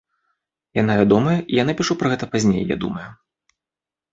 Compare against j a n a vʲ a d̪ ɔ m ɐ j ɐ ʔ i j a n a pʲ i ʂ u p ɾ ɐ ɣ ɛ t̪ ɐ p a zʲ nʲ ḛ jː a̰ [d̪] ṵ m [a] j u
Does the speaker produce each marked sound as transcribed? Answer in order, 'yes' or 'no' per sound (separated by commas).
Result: yes, no